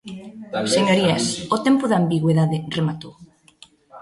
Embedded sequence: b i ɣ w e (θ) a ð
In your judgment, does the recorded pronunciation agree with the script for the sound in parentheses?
no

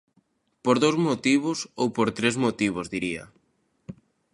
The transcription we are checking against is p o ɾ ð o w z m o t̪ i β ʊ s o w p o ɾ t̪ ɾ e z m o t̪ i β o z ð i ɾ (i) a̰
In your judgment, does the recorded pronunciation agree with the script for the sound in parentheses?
yes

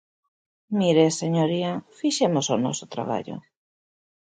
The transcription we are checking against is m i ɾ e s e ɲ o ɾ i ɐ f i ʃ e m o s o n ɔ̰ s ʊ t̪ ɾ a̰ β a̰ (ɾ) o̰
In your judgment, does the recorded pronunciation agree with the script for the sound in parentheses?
no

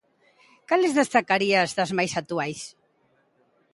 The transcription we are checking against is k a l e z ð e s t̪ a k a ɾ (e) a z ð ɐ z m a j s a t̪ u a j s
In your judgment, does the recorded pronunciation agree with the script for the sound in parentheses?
no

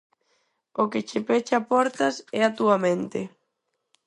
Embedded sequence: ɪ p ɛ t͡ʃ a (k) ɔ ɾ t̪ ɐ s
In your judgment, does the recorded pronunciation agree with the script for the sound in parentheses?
no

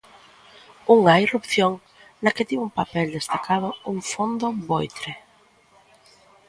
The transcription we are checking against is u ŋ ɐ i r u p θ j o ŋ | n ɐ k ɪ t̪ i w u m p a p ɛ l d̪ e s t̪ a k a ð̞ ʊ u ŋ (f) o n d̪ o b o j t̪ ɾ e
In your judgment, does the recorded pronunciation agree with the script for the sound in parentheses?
yes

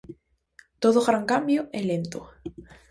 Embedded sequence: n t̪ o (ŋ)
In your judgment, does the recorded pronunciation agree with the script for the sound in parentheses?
no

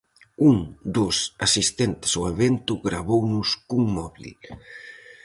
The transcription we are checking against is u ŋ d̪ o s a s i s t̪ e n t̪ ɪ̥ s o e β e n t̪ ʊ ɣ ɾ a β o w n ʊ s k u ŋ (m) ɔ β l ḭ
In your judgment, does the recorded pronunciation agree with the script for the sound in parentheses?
yes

